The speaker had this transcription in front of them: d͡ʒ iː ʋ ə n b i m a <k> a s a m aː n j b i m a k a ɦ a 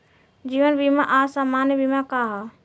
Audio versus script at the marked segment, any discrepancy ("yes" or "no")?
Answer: yes